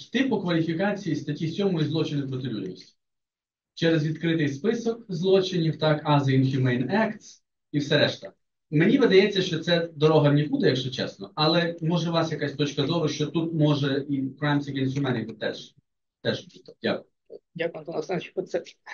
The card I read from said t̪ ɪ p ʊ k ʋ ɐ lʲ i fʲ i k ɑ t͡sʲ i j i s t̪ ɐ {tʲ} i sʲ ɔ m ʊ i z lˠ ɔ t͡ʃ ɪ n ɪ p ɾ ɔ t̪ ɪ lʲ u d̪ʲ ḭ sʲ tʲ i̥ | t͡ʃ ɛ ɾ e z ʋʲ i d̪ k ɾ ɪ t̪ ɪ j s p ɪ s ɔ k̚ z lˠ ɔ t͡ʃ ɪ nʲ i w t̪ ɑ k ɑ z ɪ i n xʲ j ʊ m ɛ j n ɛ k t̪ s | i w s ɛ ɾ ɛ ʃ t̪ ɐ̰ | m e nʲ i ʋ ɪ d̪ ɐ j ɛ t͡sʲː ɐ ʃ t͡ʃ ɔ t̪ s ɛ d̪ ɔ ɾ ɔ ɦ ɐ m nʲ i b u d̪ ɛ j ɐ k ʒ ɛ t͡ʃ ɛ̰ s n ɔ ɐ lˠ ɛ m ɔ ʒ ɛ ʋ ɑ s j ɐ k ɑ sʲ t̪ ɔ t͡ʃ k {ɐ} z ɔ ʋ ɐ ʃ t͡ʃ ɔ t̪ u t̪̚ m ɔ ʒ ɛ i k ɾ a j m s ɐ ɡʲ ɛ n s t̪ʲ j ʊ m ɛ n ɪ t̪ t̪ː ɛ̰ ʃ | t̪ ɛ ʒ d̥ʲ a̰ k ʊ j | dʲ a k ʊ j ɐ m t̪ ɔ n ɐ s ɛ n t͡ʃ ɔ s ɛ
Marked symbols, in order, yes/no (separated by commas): yes, yes